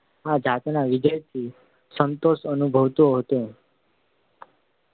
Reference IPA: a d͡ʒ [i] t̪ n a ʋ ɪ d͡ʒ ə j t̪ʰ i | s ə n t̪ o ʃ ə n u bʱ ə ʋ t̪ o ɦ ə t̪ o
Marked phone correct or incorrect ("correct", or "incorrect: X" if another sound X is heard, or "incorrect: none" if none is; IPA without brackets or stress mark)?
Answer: incorrect: a